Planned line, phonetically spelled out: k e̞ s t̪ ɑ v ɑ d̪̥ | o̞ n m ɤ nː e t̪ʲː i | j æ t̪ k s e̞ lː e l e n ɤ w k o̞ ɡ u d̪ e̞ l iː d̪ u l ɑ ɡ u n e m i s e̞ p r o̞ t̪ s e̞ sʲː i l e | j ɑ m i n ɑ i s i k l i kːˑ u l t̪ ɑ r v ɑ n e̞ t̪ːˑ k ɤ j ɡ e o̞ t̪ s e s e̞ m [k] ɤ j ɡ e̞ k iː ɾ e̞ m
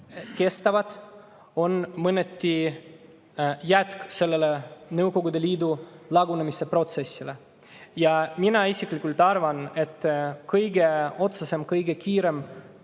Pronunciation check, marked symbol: correct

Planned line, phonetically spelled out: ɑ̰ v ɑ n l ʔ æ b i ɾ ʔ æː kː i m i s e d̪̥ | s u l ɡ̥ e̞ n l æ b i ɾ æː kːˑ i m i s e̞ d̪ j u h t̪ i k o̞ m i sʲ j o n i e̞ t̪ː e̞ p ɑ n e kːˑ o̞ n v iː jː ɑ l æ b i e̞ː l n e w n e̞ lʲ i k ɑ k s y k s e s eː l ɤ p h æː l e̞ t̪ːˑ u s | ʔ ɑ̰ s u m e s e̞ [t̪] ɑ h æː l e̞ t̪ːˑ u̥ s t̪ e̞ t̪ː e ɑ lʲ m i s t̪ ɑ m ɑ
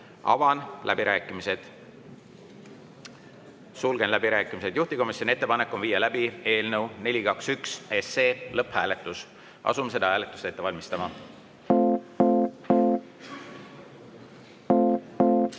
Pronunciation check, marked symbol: incorrect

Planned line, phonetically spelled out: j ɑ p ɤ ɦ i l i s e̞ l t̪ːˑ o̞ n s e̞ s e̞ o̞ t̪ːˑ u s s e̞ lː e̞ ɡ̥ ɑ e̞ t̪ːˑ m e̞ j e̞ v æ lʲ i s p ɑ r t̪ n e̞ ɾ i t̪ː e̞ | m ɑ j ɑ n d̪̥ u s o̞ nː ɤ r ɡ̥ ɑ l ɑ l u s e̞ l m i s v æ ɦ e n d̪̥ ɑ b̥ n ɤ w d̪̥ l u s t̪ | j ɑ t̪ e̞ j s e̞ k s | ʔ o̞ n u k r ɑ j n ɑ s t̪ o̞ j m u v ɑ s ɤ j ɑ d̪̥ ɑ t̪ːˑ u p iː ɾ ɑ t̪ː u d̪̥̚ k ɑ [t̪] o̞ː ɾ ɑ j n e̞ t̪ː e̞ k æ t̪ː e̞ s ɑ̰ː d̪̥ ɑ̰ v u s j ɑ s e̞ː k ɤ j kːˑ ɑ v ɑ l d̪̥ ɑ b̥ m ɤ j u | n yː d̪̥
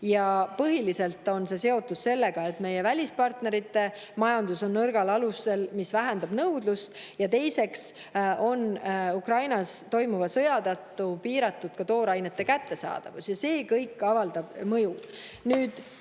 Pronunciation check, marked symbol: correct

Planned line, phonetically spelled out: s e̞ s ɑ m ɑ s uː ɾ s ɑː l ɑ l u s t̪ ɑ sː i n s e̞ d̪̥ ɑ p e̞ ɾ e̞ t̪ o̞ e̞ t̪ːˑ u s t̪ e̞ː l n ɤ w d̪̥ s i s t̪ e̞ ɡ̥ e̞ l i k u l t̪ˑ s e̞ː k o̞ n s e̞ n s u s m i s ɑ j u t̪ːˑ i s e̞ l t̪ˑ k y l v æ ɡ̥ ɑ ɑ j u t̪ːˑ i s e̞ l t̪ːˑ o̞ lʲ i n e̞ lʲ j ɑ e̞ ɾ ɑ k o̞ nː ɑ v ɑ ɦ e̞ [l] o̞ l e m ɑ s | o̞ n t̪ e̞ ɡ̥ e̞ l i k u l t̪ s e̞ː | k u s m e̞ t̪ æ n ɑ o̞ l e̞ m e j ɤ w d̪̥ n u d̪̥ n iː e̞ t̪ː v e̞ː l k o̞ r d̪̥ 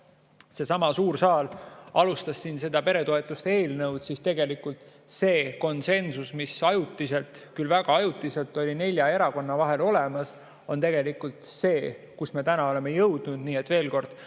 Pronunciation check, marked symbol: correct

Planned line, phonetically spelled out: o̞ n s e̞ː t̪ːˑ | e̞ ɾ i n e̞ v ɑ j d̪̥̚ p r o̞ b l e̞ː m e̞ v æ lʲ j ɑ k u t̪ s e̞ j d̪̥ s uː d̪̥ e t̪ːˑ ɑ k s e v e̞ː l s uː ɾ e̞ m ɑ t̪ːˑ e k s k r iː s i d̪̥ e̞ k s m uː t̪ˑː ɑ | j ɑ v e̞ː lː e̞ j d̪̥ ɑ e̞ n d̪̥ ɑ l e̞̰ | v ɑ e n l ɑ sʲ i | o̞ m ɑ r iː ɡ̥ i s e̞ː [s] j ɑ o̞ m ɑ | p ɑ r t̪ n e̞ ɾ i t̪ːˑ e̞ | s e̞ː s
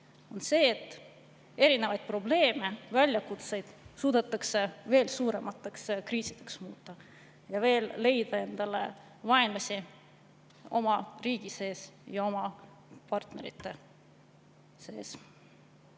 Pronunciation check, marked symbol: correct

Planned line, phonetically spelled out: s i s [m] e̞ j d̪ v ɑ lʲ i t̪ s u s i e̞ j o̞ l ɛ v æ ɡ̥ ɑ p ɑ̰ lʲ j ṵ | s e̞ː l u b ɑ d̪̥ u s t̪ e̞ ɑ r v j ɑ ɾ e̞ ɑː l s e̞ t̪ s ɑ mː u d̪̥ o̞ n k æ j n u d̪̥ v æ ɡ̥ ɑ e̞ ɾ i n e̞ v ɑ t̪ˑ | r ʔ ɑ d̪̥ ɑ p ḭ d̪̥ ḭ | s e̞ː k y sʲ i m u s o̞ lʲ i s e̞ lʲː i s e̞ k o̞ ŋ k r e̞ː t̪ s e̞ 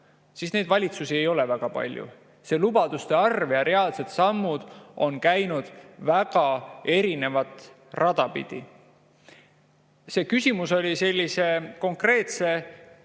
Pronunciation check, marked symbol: incorrect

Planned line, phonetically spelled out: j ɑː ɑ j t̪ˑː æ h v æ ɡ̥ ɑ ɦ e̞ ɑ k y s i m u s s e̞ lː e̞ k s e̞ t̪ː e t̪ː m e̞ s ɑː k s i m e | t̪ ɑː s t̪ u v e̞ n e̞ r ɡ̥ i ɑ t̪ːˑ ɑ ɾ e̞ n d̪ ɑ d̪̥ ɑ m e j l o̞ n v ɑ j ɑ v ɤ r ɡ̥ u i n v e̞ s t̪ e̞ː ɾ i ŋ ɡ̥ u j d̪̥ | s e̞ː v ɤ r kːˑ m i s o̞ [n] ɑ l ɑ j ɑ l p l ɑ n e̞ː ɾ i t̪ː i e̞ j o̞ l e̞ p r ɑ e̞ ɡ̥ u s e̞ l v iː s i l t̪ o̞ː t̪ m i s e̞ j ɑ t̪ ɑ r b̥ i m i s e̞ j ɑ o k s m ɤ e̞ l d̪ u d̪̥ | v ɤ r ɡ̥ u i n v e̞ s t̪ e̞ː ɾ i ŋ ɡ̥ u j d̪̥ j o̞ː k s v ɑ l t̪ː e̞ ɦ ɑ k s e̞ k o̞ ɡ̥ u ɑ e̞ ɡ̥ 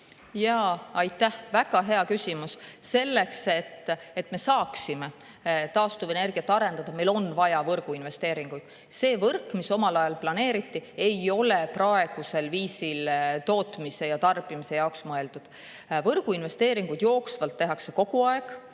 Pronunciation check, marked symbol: incorrect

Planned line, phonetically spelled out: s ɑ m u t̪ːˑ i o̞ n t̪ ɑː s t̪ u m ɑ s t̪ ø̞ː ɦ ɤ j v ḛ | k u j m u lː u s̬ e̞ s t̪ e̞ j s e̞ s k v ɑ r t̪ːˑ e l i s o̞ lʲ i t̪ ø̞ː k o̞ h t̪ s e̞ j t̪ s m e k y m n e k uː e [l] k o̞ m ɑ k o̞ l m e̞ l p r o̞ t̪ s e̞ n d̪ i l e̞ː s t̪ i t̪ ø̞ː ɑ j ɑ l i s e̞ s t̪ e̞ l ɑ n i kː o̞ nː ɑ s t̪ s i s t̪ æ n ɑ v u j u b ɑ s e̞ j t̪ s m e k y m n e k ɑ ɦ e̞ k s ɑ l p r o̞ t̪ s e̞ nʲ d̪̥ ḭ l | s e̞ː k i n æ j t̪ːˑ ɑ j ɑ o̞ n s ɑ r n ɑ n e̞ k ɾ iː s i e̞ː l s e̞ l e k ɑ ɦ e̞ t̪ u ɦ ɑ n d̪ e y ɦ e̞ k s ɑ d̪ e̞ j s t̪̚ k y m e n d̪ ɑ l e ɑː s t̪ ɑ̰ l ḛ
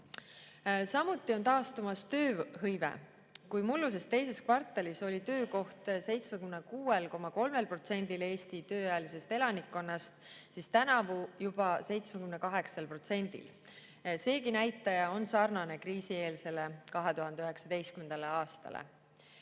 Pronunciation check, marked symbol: correct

